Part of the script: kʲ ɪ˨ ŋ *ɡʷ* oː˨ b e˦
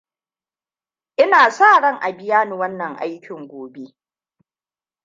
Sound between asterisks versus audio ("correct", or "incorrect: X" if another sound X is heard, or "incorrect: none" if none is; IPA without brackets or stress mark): correct